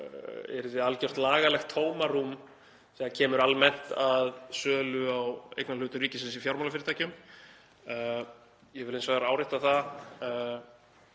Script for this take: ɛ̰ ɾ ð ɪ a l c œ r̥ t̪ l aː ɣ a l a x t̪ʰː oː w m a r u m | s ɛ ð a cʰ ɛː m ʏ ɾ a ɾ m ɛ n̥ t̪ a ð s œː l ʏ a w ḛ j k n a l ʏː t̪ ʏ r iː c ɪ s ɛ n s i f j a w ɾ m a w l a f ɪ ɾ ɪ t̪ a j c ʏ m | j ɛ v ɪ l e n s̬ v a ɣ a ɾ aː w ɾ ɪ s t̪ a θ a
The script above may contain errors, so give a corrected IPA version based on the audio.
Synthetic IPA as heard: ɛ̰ ɾ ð ɪ a l c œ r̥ t̪ l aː ɣ a l ɛ x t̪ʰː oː w m a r u m | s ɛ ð a cʰ ɛː m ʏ ɾ a l m ɛ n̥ t̪ a ð s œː l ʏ a w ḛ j k n a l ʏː t̪ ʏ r iː c ɪ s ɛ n s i f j a w ɾ m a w l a f ɪ ɾ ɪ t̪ a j c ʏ m | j ɛ v ɪ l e n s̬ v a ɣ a ɾ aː w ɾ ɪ h t̪ a θ a